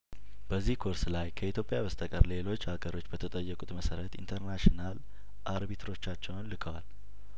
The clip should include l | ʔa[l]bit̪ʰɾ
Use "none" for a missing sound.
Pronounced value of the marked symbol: ɾ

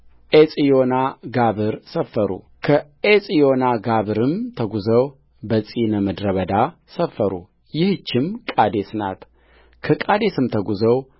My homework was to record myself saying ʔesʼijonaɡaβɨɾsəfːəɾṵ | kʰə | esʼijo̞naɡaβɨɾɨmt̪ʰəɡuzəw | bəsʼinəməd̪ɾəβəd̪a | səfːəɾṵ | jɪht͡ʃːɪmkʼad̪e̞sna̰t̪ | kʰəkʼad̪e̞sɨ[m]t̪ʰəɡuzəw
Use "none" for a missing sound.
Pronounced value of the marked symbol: m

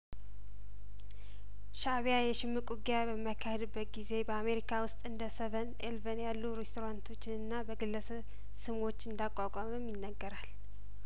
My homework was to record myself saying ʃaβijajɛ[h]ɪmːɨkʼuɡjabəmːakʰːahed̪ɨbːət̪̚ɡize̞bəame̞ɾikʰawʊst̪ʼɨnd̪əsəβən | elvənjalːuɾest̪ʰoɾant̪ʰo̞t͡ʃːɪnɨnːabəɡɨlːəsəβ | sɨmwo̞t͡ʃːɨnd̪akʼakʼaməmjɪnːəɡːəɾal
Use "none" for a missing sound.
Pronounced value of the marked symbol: ʃ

